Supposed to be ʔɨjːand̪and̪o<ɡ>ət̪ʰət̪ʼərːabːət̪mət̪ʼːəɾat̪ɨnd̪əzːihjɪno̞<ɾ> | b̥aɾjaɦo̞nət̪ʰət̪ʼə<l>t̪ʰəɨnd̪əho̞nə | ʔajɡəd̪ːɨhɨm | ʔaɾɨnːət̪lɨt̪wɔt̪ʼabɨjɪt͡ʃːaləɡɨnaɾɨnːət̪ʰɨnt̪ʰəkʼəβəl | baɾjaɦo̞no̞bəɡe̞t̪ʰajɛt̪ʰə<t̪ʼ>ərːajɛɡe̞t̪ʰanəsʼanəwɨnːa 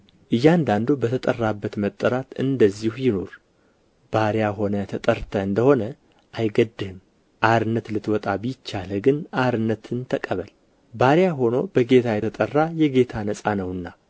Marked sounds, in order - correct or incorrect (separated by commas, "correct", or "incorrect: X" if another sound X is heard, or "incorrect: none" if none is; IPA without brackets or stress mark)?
incorrect: b, correct, incorrect: ɾ, correct